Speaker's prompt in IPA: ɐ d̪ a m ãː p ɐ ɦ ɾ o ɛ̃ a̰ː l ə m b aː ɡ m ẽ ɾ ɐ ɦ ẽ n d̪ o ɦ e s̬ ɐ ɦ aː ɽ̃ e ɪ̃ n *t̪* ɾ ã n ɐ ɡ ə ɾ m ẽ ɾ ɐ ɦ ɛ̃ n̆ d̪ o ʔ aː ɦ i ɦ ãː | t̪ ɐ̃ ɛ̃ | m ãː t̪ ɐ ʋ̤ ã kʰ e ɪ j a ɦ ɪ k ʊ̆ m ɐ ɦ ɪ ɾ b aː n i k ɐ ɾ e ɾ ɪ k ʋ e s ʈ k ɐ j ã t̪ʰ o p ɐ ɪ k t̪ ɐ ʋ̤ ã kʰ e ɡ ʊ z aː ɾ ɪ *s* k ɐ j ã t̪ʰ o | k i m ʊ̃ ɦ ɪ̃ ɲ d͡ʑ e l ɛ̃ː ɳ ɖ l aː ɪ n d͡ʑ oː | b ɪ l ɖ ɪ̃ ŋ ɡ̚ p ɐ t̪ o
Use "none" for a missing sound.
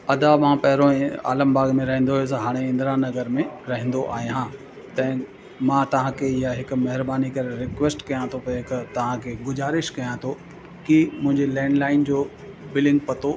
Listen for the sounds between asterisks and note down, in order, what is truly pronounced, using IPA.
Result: d̪, ʃ

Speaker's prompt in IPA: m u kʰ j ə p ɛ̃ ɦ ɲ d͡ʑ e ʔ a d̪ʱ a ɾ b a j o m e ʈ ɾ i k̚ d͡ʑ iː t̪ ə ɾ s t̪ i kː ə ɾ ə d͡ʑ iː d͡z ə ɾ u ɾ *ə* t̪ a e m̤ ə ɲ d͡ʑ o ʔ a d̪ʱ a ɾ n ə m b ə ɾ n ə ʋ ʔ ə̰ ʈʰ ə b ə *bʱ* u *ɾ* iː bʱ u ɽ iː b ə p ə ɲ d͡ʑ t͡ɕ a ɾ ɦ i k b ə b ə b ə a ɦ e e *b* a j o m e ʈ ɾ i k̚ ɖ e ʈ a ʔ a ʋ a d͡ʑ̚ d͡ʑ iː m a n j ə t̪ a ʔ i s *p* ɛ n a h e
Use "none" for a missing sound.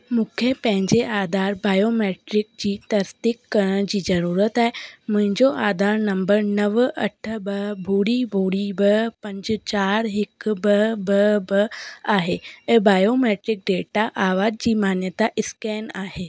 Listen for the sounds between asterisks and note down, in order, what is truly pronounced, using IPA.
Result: ə, bʱ, ɽ, b, k

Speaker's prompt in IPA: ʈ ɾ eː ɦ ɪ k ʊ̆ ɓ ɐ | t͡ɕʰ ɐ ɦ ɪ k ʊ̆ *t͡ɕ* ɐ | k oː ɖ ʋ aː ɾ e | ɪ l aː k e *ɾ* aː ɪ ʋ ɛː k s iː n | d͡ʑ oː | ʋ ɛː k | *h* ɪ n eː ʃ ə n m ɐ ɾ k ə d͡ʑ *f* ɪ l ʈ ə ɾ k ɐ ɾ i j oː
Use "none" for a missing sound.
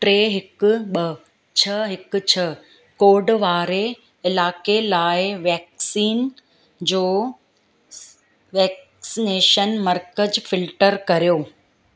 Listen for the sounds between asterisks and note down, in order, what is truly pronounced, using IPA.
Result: t͡ɕʰ, l, s, f

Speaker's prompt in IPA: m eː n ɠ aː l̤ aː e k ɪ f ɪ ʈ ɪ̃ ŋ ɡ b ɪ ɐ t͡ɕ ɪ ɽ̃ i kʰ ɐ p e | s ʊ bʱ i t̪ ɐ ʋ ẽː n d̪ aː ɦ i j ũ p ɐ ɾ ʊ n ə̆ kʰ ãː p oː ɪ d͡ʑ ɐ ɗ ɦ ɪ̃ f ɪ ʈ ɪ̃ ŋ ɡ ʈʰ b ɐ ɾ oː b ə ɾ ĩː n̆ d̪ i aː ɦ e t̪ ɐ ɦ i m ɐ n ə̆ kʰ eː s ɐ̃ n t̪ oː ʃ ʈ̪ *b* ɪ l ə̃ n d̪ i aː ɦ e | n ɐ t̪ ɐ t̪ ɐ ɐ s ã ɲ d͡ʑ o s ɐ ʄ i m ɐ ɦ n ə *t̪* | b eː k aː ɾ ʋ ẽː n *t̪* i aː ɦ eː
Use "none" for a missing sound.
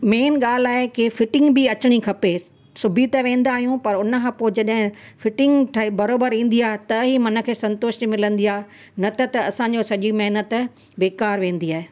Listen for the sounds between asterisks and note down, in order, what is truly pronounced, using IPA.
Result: m, t̪, d̪

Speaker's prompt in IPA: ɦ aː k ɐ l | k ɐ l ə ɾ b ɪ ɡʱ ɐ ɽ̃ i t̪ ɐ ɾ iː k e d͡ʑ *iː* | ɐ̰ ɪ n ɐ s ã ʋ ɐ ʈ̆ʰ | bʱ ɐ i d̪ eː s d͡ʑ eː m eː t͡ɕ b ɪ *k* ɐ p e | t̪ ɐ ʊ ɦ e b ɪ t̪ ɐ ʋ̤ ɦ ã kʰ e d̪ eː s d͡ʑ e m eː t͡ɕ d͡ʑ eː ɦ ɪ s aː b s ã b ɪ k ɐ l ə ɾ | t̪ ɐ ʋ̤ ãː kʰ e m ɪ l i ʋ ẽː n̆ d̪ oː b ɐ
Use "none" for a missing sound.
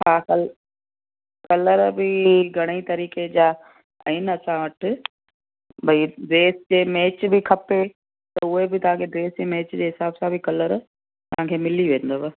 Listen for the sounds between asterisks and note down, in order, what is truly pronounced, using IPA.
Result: aː, kʰ

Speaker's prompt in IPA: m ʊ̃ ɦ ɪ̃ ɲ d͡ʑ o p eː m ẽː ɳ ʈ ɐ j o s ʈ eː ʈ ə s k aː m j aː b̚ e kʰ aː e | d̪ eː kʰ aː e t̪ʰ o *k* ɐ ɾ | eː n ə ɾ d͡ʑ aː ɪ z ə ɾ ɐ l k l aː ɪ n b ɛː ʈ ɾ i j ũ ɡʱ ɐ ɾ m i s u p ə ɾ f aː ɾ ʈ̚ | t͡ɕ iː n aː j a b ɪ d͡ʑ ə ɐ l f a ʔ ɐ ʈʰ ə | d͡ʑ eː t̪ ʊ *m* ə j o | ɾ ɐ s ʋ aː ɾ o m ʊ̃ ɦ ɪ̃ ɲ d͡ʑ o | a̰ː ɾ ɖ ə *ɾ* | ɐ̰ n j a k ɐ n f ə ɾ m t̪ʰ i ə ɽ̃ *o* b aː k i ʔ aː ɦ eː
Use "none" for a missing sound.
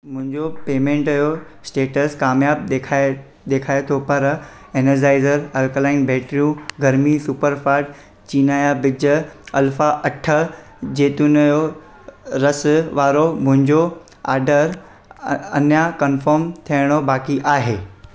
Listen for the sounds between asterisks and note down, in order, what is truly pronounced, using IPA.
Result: p, n, ɾ, o

